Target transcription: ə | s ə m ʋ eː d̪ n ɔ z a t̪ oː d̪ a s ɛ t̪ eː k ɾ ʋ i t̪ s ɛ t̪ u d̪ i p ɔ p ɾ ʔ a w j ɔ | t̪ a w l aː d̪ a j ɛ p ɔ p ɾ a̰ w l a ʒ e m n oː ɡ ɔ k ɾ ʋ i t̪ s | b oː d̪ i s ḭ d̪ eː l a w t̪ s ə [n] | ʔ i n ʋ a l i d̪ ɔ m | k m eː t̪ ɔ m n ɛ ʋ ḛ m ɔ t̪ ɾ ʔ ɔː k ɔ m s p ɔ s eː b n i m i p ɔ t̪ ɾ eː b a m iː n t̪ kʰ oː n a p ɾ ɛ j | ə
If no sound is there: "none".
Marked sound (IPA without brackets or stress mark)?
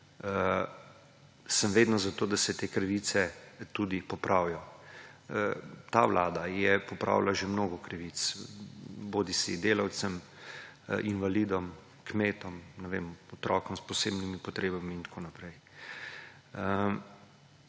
m